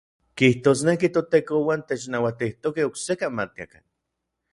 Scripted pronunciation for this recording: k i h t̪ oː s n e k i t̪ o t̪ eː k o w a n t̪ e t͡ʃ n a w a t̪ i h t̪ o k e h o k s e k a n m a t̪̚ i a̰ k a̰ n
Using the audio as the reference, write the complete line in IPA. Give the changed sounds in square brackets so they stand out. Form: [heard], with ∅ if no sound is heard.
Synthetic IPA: k i h t̪ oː s n e k i t̪ o t̪ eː k o w a n t̪ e t͡ʃ n a w a t̪ i h t̪ o k e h o k s e k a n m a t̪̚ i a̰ k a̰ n